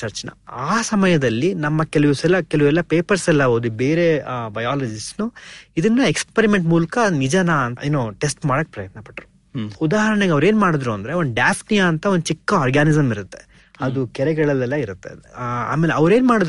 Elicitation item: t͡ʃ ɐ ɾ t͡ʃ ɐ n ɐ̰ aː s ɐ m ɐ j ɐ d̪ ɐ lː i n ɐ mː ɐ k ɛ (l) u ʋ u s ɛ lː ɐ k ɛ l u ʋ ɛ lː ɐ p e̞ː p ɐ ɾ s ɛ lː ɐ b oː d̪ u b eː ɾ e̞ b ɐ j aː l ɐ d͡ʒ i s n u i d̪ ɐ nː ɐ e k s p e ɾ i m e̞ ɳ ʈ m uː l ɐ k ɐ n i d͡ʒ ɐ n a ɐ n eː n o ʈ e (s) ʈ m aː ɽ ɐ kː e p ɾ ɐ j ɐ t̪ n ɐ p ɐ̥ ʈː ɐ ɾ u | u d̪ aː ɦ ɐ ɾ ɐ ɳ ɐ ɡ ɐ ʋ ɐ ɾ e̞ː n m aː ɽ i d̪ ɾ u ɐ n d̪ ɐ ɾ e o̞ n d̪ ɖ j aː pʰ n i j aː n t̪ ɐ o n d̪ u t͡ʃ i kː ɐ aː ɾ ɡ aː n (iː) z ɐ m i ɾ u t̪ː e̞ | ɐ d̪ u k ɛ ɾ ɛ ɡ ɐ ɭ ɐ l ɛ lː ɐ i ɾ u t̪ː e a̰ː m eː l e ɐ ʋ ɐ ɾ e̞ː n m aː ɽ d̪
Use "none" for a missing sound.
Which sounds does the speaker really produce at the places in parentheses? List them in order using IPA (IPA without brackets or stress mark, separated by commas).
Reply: l, s, i